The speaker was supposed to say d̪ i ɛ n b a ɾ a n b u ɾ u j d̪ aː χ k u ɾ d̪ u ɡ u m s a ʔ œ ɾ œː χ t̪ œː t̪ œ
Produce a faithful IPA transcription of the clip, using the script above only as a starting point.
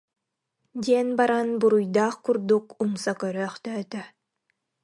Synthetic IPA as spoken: d̪ i ɛ n b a ɾ a n b u ɾ u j d̪ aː χ k u ɾ d̪ u k u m s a k œ ɾ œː χ t̪ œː t̪ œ